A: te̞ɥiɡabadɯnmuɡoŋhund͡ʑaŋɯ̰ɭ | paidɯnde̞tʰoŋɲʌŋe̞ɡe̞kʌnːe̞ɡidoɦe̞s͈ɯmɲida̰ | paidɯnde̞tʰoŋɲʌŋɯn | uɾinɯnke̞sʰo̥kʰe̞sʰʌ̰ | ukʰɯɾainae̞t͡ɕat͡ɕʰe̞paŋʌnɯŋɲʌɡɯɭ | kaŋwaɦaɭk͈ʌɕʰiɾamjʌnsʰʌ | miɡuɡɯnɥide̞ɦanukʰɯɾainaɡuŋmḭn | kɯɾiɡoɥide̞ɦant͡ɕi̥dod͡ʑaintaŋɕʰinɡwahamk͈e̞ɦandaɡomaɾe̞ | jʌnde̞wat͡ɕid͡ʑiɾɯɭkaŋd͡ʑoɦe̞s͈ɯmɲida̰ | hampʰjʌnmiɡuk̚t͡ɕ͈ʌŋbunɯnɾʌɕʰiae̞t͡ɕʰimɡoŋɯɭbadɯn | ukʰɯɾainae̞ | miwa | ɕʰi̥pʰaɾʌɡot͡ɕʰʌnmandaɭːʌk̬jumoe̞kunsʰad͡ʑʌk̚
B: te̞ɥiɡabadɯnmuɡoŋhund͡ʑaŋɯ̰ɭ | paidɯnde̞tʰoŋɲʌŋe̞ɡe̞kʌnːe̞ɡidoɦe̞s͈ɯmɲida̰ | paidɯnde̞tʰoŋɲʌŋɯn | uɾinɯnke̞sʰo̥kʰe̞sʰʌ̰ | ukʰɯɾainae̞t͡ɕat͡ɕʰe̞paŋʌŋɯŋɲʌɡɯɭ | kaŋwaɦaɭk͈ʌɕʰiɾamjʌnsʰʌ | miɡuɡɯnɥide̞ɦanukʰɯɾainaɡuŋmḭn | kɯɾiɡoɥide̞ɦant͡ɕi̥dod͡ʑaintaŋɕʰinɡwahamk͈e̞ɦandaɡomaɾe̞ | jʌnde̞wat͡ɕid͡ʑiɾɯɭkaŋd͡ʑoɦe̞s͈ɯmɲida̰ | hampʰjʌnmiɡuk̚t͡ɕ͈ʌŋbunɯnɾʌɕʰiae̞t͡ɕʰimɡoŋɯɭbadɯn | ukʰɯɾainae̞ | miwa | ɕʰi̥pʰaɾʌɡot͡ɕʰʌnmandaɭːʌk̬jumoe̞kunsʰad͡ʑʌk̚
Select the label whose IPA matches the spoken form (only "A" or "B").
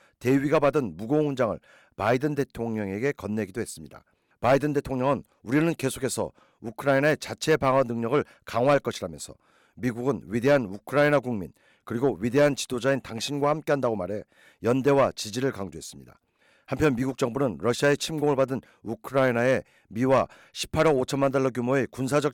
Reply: A